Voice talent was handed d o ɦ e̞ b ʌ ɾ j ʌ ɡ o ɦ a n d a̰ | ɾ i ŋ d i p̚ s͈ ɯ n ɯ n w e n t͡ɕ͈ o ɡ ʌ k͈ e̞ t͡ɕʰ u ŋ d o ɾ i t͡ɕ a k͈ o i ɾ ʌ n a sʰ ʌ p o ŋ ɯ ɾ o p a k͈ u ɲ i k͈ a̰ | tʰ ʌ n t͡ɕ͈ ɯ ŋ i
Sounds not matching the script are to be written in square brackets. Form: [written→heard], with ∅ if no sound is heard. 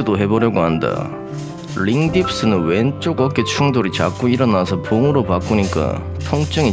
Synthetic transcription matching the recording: d o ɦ e̞ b ʌ ɾ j ʌ ɡ o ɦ a n d a̰ | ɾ i ŋ d i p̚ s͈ ɯ n ɯ n w e n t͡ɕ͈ o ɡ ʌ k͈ e̞ t͡ɕʰ u ŋ d o ɾ i t͡ɕ a k͈ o i ɾ ʌ n a sʰ ʌ p o ŋ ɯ ɾ o p a k͈ u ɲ i k͈ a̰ | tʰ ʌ [n→ŋ] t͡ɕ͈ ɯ ŋ i